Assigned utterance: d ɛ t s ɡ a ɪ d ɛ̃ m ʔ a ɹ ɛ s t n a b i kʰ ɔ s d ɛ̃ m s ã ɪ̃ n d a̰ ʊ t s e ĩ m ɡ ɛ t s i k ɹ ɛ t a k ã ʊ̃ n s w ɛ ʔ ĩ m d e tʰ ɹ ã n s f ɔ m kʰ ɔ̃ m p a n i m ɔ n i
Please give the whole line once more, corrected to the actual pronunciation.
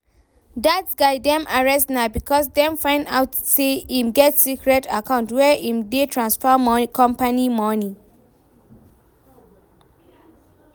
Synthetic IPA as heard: d a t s ɡ a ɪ d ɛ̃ m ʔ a ɹ ɛ s t n a b i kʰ ɔ s d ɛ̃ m f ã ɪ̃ n d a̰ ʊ t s e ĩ m ɡ ɛ t s i k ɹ ɛ t a k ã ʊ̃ n t w ɛ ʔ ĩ m d e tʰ ɹ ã n s f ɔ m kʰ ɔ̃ m p a n i m ɔ n i

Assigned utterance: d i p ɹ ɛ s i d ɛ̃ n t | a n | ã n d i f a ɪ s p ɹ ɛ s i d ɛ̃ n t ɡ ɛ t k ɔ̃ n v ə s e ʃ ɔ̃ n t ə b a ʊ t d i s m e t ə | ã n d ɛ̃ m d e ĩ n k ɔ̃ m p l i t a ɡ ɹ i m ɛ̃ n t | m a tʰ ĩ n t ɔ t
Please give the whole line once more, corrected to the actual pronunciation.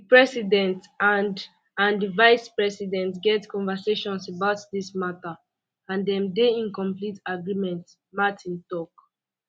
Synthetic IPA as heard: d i p ɹ ɛ s i d ɛ̃ n t | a n | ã n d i v a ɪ s p ɹ ɛ s i d ɛ̃ n t ɡ ɛ t k ɔ̃ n v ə s e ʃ ɔ̃ n s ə b a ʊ t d i s m a t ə | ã n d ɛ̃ m d e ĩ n k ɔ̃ m p l i t a ɡ ɹ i m ɛ̃ n t | m a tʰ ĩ n t ɔ k

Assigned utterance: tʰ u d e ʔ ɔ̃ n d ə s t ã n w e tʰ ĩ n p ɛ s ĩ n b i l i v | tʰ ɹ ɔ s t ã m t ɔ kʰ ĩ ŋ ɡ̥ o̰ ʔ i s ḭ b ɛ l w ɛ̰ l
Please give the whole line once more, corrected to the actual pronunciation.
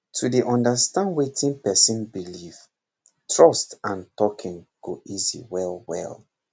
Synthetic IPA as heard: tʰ u d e ʔ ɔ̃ n d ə s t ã n w e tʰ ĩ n p ɛ s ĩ n b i l i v | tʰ ɹ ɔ s t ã n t ɔ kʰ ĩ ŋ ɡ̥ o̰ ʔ i z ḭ w ɛ l w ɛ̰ l

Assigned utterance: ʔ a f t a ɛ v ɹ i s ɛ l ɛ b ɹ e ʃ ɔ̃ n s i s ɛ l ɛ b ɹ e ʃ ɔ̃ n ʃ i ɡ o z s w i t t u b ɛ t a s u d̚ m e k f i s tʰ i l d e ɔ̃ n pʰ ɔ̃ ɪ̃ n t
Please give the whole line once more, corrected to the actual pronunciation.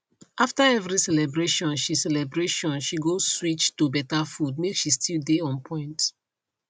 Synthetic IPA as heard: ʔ a f t a ɛ v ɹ i s ɛ l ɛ b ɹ e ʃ ɔ̃ n ʃ i s ɛ l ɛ b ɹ e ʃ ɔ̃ n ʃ i ɡ o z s w i t͡ʃ t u b ɛ t a f u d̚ m e k ʃ i s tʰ i l d e ɔ̃ n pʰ ɔ̃ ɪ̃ n t

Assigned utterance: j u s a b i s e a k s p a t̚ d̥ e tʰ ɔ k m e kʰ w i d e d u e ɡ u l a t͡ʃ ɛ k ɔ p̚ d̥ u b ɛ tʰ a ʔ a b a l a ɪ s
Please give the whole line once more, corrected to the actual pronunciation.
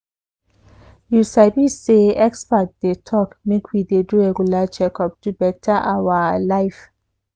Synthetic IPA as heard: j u s a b i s e ɛ k s p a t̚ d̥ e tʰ ɔ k m e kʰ w i d e d u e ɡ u l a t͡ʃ ɛ k ɔ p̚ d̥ u b ɛ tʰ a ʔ a w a l a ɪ f

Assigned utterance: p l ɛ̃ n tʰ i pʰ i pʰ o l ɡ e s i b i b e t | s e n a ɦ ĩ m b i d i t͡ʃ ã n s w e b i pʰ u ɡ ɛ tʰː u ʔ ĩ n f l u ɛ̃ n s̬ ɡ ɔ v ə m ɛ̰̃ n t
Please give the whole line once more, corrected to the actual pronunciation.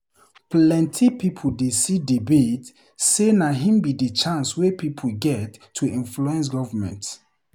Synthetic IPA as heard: p l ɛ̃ n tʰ i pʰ i pʰ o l d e s i d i b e t | s e n a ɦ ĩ m b i d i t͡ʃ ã n s w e p i pʰ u ɡ ɛ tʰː u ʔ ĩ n f l u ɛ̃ n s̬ ɡ ɔ v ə m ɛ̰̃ n t

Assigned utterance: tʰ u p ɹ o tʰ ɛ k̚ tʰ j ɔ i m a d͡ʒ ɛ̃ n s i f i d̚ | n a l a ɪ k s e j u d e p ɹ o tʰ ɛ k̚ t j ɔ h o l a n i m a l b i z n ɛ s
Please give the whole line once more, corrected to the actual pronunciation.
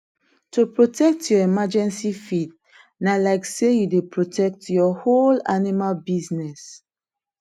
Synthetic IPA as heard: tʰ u p ɹ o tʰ ɛ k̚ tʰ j ɔ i m a d͡ʒ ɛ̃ n s i f i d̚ | n a l a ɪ k s e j u d e p ɹ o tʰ ɛ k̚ t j ɔ h o l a n i m a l b i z n ɛ s

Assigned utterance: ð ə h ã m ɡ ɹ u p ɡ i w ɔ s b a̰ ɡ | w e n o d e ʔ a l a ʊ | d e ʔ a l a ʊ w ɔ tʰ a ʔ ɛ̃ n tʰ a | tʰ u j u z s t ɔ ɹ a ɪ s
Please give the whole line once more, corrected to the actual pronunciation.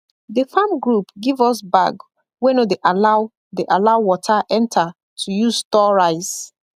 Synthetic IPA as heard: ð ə f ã m ɡ ɹ u p ɡ i v ɔ s b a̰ ɡ | w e n o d e ʔ a l a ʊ | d e ʔ a l a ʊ w ɔ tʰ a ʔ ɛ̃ n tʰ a | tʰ u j u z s t ɔ ɹ a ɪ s

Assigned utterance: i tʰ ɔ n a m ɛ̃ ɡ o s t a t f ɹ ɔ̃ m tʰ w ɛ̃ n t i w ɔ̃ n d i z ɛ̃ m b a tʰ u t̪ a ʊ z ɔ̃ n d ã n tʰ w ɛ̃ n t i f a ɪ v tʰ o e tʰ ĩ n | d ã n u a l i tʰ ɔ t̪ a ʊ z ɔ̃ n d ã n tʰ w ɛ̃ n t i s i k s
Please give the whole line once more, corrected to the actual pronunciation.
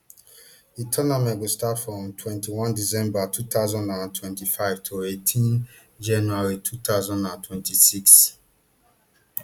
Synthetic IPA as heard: i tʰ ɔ n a m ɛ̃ ɡ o s t a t f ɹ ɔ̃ m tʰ w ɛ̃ n t i w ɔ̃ n d i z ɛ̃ m b a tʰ u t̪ a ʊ z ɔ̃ n d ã n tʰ w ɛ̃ n t i f a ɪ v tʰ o e tʰ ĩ n | d͡ʒ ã n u a ɹ i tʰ u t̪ a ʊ z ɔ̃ n d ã n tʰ w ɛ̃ n t i s i k s

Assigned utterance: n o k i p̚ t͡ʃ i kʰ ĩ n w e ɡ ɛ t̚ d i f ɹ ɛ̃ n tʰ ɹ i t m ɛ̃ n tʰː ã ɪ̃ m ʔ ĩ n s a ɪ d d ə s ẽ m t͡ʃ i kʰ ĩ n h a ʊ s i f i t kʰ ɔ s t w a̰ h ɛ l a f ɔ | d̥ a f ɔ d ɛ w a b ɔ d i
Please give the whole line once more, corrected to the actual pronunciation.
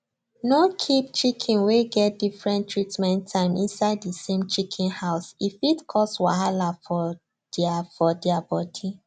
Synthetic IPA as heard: n o kʰ i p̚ t͡ʃ i kʰ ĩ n w e ɡ ɛ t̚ d i f ɹ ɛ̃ n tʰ ɹ i t m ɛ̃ n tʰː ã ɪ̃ m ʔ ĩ n s a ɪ d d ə s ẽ m t͡ʃ i kʰ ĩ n h a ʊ s i f i t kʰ ɔ s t w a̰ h a l a f ɔ | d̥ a f ɔ d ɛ a b ɔ d i

